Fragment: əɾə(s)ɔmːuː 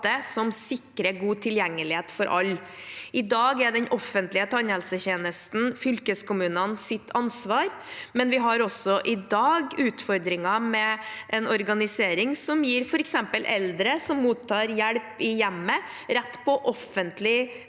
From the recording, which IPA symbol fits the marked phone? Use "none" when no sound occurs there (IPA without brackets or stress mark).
s